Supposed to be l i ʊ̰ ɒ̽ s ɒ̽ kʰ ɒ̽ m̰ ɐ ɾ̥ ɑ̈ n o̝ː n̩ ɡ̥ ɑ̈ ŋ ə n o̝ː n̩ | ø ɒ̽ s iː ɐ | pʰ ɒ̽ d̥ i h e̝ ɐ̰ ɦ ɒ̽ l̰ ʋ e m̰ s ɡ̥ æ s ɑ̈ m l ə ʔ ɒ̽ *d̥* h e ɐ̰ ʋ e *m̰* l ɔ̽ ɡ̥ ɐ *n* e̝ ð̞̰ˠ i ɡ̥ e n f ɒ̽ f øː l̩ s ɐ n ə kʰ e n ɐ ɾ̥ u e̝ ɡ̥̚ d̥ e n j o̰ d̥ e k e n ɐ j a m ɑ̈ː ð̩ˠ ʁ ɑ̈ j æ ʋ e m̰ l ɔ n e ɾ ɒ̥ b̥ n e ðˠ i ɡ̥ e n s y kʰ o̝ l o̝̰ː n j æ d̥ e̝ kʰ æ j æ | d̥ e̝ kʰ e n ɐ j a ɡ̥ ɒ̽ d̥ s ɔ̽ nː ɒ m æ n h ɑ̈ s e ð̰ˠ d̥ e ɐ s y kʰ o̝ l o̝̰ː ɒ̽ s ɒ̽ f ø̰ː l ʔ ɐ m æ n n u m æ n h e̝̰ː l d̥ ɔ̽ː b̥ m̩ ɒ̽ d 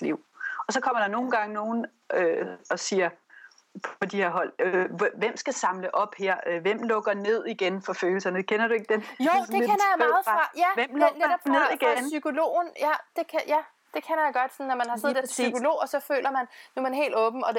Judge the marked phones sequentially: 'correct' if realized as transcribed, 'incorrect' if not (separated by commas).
incorrect, correct, correct